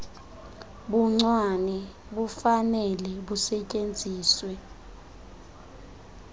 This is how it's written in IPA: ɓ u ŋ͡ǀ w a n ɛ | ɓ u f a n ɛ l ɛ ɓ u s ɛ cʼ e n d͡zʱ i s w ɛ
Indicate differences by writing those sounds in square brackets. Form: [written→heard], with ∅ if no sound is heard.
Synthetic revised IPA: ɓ u ŋ͡ǀ w a n ɛ | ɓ u f a n ɛ l ɛ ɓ u s ɛ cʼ e n d͡zʱ [i→iː] s w ɛ